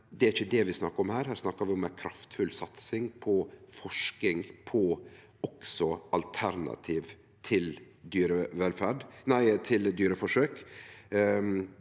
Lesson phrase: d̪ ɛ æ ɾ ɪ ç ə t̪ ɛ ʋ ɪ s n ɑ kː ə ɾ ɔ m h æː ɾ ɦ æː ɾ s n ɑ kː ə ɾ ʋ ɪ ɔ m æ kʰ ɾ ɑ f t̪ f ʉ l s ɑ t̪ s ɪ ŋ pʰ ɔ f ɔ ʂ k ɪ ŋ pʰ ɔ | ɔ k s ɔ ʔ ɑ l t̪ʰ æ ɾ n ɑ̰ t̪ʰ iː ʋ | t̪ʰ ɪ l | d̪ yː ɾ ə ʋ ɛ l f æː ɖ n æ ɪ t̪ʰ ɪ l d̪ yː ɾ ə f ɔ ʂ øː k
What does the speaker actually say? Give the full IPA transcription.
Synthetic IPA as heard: d̪ ɛ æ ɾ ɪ ç ə d̪ ɛ ʋ ɪ s n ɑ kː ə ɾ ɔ m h æː ɾ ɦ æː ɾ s n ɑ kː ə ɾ ʋ ɪ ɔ m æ kʰ ɾ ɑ f t̪ f ʉ l s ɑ t̪ s ɪ ŋ pʰ ɔ f ɔ ʂ k ɪ ŋ pʰ ɔ | ɔ k s ɔ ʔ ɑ l t̪ʰ æ ɾ n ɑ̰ t̪ʰ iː ʋ | t̪ʰ ɪ l | d̪ yː ɾ ə ʋ ɛ l f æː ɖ n æ ɪ t̪ʰ ɪ l d̪ yː ɾ ə f ɔ ʂ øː k